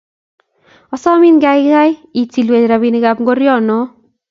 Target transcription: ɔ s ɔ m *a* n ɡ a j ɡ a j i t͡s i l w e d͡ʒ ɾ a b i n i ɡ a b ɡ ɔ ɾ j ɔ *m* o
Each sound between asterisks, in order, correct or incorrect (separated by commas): incorrect, incorrect